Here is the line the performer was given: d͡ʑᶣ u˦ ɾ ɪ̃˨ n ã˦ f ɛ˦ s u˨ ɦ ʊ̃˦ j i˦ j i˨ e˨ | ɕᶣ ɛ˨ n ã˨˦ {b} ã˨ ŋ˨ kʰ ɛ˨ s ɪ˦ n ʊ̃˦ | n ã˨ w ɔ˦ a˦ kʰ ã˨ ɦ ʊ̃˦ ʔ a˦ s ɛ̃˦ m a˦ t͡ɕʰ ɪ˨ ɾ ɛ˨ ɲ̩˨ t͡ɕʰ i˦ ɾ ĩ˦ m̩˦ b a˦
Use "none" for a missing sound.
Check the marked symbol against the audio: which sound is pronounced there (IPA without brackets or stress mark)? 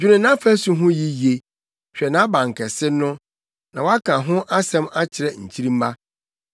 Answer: b